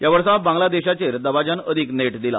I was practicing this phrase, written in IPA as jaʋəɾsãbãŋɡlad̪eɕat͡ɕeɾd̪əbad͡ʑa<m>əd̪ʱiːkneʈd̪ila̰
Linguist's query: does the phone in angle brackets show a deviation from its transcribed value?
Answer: yes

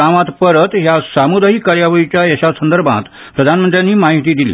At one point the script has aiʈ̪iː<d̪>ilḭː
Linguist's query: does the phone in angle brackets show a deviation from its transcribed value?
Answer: no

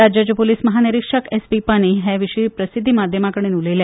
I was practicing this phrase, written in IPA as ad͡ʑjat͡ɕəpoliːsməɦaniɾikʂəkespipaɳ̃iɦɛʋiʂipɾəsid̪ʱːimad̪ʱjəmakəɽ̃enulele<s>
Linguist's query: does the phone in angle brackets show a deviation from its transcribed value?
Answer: yes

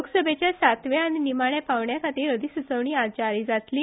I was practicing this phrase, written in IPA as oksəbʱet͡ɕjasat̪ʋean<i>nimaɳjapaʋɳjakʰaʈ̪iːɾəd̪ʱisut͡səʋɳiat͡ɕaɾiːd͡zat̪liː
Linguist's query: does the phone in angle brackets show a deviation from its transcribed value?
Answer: no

